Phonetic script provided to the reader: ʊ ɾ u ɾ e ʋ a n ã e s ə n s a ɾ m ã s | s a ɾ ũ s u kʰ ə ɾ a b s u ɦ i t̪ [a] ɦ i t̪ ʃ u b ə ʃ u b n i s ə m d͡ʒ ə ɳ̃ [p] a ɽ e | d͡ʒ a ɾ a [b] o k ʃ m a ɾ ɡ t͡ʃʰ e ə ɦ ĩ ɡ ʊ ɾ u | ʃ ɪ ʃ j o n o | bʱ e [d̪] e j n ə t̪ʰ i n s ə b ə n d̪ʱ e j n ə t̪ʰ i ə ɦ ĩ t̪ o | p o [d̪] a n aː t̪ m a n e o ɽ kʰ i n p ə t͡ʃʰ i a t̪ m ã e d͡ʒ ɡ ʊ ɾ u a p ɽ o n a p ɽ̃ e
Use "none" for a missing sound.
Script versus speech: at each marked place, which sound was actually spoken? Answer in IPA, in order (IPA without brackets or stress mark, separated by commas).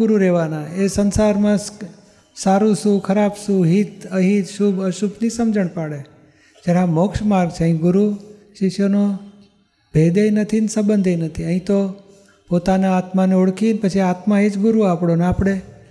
ə, p, m, d̪, t̪